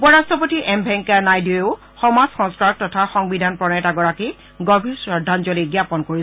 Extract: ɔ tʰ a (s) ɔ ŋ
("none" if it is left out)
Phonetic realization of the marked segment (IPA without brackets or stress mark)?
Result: x